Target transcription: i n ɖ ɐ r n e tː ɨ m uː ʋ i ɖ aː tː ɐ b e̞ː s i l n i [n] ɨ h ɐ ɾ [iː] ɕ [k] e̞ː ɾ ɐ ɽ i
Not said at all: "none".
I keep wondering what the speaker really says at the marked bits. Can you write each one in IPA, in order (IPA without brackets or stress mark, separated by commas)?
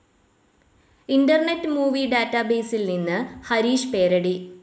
nː, iː, p